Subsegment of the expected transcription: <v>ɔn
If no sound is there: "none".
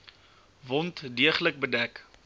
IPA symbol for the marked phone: v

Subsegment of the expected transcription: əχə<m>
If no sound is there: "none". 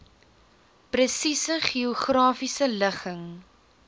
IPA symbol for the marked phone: ŋ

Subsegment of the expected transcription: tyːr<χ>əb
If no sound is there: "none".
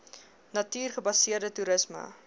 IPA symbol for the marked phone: χ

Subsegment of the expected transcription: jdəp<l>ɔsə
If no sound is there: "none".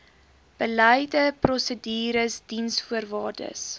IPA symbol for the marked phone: r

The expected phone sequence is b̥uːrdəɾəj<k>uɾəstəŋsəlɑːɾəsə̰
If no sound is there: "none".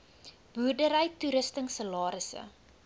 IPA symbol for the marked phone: t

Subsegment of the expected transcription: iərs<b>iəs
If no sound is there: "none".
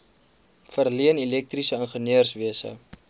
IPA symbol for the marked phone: v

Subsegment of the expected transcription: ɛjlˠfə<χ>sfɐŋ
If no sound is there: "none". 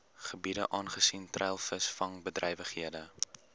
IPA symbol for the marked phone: none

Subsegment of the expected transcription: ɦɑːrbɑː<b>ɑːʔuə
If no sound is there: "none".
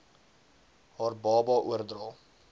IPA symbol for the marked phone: b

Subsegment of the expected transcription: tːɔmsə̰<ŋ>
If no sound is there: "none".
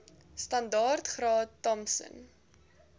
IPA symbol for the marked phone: n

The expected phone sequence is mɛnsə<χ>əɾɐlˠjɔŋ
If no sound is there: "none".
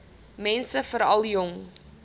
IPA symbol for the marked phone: f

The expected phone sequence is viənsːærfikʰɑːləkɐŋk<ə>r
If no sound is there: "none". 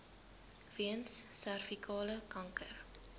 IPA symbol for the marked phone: ə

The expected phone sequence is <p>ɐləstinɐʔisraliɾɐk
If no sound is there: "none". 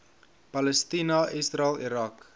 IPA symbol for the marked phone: p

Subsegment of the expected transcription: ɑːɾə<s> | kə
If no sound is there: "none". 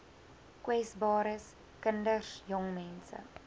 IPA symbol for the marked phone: s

